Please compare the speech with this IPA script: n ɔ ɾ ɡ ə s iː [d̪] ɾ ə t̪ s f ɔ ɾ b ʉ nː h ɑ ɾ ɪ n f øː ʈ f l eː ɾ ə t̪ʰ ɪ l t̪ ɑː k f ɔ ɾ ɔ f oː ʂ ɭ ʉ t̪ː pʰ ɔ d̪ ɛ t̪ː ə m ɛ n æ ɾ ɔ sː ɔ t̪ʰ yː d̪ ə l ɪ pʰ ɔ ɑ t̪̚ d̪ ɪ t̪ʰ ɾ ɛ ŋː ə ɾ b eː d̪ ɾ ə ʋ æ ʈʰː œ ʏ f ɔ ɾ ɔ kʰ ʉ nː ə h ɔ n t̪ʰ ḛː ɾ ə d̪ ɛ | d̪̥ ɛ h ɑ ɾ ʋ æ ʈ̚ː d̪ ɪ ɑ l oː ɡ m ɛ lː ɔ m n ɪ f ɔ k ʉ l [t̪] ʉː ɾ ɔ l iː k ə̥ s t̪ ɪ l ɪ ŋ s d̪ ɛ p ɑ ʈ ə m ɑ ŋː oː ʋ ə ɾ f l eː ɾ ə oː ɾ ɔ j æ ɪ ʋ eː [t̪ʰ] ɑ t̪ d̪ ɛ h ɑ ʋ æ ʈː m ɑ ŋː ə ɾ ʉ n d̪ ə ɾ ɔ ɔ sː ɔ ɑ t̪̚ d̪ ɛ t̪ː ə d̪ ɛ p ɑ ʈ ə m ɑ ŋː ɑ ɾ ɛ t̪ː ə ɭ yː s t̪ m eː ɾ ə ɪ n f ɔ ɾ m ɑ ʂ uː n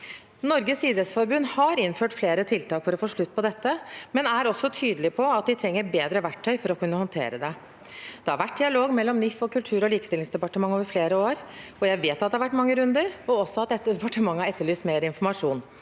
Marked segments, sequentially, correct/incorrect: correct, incorrect: t̪ʰ, incorrect: t̪

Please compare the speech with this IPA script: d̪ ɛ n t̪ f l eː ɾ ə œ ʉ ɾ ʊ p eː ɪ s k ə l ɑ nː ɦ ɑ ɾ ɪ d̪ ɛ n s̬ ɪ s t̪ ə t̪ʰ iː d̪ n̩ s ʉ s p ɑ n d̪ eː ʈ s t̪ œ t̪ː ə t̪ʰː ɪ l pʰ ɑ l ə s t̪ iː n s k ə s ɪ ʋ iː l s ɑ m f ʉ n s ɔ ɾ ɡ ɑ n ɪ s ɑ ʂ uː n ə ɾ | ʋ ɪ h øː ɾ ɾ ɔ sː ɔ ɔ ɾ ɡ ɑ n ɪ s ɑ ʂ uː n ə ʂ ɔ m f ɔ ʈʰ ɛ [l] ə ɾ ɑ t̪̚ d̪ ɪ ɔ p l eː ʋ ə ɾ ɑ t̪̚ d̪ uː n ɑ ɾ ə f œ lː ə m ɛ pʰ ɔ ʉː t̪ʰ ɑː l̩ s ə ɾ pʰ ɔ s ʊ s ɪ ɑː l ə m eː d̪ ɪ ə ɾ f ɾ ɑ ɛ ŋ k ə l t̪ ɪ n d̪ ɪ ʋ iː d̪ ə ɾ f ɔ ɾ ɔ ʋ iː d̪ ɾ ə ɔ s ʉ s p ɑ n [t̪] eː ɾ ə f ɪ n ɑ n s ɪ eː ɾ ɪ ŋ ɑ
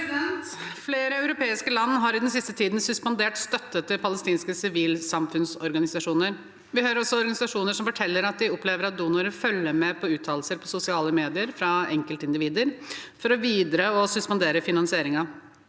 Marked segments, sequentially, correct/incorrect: incorrect: lː, incorrect: d̪

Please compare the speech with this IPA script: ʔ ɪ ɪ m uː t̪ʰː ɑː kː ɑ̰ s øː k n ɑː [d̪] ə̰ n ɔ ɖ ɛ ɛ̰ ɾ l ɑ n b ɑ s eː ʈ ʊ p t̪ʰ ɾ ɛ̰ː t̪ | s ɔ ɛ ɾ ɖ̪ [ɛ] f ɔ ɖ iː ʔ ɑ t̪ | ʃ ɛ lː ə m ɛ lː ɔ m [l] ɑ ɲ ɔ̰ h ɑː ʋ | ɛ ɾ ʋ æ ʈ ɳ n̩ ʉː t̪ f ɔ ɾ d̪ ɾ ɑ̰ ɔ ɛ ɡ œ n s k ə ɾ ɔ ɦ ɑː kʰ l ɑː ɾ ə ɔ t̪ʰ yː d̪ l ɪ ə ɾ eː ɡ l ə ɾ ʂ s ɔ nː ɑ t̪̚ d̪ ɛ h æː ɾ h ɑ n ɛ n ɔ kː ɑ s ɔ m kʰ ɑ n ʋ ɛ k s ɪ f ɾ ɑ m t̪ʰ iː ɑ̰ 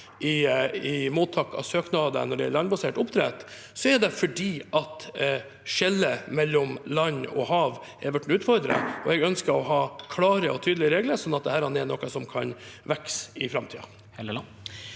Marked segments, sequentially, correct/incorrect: correct, correct, correct

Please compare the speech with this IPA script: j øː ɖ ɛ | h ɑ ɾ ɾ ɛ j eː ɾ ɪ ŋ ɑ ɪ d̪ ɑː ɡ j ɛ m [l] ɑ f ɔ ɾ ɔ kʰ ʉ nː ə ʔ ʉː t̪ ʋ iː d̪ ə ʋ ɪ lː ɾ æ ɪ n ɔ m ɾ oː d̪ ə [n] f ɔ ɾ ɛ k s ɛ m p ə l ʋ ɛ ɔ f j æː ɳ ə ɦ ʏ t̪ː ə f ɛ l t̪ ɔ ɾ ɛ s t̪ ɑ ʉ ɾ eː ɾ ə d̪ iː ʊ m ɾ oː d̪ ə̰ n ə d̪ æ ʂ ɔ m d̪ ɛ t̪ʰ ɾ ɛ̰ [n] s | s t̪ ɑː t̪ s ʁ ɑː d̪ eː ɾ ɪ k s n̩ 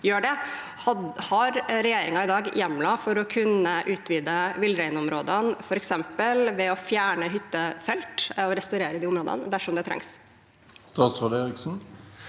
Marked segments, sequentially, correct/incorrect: correct, correct, incorrect: ŋ

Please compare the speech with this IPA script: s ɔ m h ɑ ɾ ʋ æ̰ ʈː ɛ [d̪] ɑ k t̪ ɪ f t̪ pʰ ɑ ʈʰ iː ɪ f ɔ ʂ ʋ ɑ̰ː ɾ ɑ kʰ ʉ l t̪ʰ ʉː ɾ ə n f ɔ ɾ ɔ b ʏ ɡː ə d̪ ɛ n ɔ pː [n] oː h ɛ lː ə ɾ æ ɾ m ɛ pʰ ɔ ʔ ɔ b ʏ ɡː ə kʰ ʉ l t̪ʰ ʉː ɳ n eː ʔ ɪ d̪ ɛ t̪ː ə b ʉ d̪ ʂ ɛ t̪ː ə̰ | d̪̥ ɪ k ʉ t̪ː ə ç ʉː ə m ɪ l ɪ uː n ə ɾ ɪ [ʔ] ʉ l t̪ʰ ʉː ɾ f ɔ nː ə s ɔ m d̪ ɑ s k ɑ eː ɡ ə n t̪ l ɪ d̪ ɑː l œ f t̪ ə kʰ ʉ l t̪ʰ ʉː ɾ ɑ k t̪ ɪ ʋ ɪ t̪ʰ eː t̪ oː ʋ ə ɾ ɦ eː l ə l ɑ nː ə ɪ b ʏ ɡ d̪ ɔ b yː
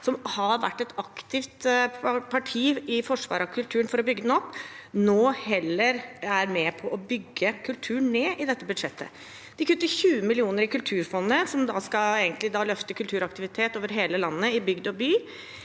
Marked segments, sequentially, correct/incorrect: incorrect: t̪, correct, incorrect: k

